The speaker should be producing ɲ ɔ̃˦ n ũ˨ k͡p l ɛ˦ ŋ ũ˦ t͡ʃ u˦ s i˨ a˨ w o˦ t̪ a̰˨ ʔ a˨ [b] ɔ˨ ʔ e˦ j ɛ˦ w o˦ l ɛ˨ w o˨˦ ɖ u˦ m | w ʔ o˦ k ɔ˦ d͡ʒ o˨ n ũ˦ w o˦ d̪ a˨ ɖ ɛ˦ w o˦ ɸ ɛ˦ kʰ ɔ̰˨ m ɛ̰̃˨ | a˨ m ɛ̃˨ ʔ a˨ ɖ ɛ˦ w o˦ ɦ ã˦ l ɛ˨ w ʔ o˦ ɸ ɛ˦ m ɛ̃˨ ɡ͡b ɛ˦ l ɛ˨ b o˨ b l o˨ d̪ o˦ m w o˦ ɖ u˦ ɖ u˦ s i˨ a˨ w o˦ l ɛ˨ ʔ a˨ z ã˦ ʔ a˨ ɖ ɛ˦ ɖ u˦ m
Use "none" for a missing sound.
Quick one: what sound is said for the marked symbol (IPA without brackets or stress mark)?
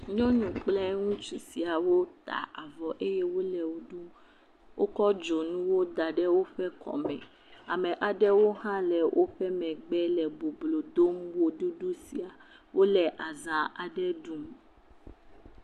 v